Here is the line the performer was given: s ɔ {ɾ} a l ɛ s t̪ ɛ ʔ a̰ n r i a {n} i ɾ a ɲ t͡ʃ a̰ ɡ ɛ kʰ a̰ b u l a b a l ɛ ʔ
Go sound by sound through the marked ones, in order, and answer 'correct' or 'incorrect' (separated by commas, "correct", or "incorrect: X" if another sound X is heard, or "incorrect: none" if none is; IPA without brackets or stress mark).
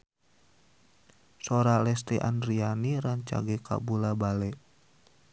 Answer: correct, correct